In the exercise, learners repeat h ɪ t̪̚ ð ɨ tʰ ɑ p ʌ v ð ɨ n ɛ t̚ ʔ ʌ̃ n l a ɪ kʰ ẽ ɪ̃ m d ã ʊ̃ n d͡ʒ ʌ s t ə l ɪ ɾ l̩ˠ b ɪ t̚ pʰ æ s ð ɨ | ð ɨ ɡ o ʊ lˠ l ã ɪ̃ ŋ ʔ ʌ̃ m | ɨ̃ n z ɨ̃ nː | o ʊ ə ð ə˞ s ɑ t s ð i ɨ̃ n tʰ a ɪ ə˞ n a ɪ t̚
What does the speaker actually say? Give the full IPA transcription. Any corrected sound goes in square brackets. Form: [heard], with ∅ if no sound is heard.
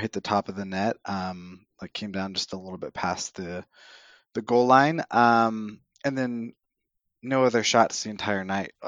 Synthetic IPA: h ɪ t̪̚ ð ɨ tʰ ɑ p ʌ v ð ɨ n ɛ t̚ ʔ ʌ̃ [m] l a ɪ kʰ ẽ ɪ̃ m d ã ʊ̃ n d͡ʒ ʌ s t ə l ɪ ɾ l̩ˠ b ɪ t̚ pʰ æ s ð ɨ | ð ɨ ɡ o ʊ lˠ l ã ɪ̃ [n] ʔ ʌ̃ m | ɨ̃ n [ð] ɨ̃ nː | o ʊ [ʌ] ð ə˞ [ʃ] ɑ t s ð i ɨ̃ n tʰ a ɪ ə˞ n a ɪ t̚